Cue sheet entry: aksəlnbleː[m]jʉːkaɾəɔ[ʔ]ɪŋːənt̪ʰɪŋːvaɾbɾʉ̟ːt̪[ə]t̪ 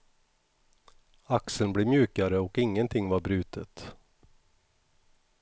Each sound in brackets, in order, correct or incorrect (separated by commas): correct, incorrect, correct